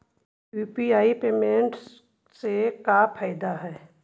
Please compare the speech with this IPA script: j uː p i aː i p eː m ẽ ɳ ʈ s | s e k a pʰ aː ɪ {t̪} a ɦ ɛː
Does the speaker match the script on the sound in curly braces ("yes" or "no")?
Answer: no